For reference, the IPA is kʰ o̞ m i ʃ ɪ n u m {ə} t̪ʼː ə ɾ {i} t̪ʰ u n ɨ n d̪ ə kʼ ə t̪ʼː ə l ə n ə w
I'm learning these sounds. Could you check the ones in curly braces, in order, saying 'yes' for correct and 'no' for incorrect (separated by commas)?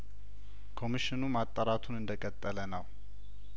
no, no